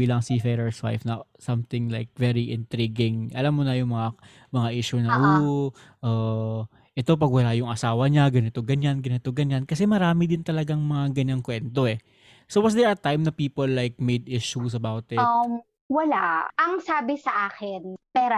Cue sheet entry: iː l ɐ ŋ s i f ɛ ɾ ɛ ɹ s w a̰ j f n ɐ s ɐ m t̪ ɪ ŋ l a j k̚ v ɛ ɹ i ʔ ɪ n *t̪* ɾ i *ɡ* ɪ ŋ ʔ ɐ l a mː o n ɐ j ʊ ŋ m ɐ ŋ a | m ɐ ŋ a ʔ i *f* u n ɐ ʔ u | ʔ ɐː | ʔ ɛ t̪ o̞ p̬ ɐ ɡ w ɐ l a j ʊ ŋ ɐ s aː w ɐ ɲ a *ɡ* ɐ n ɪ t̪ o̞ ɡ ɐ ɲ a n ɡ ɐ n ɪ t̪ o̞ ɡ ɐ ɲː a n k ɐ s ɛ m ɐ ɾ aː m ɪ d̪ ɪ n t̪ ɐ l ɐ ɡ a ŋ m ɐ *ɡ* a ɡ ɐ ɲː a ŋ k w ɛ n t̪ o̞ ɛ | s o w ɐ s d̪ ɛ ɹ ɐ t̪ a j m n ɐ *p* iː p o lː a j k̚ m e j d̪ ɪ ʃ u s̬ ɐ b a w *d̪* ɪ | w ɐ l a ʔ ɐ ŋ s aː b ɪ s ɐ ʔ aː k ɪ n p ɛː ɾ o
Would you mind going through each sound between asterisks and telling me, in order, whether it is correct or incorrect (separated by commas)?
correct, correct, incorrect, correct, incorrect, correct, incorrect